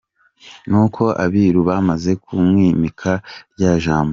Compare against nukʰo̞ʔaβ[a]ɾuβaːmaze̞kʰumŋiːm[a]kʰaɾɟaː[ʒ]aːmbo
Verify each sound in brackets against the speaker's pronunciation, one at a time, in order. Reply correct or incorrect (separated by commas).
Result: incorrect, incorrect, correct